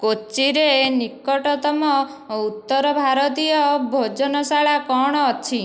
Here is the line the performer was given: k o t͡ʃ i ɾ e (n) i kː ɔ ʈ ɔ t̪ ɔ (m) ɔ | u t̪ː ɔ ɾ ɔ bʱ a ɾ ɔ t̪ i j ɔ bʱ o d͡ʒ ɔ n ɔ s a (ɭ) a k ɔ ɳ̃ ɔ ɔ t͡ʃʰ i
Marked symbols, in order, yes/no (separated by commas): yes, yes, yes